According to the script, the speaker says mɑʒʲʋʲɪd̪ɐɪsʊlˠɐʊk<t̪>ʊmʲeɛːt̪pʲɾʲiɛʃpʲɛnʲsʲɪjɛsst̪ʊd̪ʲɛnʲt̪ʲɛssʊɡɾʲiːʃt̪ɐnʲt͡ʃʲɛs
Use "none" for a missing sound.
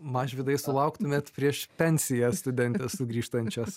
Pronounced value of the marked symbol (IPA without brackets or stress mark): t̪